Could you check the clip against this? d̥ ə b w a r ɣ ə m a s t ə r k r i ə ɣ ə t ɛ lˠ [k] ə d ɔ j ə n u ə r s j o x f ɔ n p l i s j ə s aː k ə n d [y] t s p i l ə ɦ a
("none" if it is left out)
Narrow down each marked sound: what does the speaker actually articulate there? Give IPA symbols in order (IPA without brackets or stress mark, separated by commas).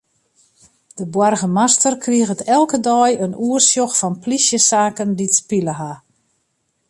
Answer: k, i